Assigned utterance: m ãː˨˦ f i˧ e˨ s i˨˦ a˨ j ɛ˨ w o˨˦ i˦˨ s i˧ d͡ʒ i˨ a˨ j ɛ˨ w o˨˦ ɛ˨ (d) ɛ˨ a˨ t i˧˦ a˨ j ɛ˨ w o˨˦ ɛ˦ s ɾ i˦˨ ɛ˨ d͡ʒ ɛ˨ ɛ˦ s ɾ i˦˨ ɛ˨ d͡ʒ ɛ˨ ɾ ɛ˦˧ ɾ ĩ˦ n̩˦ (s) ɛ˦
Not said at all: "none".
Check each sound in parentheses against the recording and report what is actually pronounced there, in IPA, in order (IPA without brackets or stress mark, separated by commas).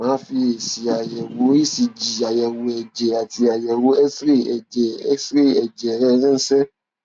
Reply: d͡ʒ, s